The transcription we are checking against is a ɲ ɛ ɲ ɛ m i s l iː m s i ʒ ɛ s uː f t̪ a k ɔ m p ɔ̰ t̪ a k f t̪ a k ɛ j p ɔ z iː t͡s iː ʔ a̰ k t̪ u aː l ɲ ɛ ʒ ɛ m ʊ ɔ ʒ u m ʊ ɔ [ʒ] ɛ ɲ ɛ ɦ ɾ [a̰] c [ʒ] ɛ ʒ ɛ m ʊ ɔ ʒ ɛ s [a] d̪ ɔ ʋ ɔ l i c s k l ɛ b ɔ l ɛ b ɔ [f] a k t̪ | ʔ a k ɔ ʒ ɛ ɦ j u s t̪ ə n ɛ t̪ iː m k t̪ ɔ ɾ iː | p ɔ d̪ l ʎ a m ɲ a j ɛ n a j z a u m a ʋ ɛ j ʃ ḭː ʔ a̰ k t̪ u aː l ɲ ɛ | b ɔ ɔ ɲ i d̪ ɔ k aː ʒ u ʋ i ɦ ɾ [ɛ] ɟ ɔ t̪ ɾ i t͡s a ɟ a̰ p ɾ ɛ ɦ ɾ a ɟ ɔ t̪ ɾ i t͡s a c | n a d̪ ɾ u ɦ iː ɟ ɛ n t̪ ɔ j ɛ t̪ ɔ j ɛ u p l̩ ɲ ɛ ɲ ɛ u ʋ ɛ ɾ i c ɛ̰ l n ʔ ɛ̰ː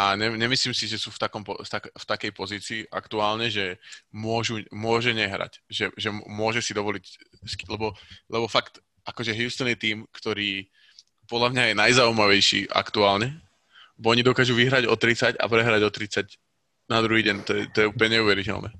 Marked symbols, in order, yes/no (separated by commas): yes, yes, yes, no, yes, no